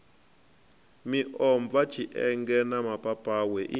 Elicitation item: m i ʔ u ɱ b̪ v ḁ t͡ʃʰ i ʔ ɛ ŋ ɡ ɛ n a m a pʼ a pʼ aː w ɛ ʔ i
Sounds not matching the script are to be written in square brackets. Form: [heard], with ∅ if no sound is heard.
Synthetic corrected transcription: m i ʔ [ɔ] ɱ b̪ v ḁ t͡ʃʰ i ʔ ɛ ŋ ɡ ɛ n a m a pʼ a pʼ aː w ɛ ʔ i